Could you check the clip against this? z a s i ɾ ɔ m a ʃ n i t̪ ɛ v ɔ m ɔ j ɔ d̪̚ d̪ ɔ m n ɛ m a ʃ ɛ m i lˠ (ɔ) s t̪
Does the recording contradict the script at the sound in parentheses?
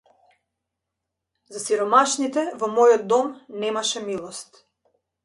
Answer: no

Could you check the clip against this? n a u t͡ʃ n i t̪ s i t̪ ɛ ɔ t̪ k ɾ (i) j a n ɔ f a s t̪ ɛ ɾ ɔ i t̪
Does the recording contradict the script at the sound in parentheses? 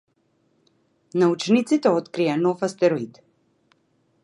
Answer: no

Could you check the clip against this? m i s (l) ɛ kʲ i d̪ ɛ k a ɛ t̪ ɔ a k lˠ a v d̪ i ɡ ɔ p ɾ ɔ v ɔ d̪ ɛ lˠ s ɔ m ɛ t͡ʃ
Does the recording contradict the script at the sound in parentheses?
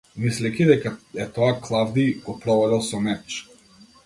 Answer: no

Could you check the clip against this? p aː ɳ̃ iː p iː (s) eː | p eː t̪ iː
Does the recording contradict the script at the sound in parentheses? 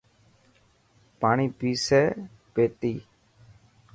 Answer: no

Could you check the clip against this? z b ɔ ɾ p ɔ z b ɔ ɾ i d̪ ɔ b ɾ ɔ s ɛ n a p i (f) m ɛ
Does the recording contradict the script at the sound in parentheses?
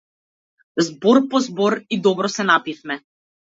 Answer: no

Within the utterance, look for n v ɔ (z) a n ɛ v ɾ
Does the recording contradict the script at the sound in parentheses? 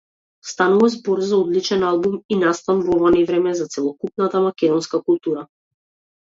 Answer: yes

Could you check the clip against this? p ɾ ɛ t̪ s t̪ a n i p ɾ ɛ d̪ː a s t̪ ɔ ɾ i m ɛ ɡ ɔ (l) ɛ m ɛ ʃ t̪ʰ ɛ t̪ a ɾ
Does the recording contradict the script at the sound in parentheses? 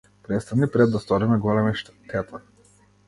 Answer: no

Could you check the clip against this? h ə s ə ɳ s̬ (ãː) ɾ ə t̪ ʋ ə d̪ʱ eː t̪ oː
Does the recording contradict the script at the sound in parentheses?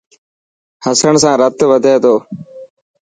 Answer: no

